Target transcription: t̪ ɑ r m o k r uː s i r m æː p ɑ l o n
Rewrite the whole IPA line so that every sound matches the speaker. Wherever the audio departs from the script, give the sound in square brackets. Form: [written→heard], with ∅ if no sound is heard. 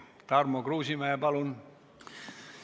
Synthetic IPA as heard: t̪ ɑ r m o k r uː s i [r→∅] m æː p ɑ l [o→u] n